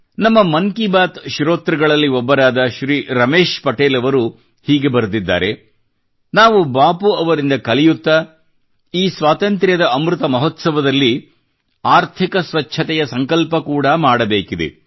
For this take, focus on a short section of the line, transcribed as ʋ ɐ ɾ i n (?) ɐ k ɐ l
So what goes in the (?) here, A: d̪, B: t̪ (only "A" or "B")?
A